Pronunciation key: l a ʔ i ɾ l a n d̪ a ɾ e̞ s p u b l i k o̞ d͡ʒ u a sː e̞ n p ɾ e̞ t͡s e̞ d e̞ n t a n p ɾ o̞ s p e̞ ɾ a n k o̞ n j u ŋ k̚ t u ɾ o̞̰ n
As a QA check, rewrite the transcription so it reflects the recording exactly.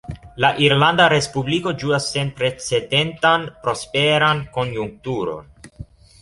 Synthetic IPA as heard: l a ʔ i ɾ l a n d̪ a ɾ e̞ s p u b l i k o̞ d͡ʒ u a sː e̞ n p ɾ e̞ t͡s e̞ d e̞ n t a n p ɾ o̞ s p e̞ ɾ a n k o̞ n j u ŋ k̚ t u ɾ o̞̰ n